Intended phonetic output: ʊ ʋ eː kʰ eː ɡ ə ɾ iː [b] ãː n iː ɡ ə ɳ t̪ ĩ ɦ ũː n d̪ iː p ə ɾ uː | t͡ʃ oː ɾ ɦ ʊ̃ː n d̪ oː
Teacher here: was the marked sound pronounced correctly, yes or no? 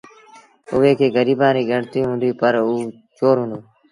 yes